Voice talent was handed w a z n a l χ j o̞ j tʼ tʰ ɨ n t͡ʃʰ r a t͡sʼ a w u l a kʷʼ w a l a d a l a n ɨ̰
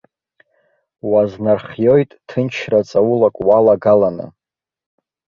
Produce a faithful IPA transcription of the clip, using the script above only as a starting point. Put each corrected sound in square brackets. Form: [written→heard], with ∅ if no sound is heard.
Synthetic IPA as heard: w a z n a [l→r] χ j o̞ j tʼ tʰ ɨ n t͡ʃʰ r a t͡sʼ a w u l a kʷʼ w a l a [d→ɡ] a l a n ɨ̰